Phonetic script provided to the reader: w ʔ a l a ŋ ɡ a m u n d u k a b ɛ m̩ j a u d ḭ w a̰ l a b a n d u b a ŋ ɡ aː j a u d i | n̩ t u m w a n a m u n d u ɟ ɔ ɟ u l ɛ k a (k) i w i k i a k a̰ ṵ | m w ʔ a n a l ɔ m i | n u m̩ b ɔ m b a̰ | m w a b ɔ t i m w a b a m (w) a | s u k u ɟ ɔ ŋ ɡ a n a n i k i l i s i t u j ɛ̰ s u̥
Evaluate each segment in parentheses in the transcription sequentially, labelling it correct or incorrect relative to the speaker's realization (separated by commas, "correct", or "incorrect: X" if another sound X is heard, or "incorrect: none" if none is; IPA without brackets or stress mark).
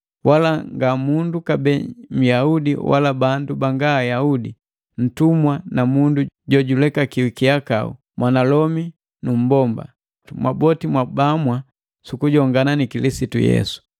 correct, correct